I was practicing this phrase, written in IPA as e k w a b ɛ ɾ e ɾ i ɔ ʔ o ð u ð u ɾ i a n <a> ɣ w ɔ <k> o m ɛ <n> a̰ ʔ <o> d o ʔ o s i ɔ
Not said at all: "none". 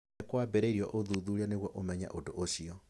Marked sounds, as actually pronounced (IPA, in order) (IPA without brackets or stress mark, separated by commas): e, ʔ, ɲ, o